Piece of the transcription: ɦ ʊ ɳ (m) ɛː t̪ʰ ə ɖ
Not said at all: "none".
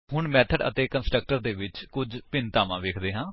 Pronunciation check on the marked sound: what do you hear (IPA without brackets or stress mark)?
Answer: m